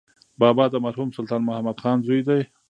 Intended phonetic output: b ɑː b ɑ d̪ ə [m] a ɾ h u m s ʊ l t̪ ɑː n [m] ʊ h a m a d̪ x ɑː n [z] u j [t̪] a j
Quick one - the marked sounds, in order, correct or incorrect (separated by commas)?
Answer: correct, correct, correct, incorrect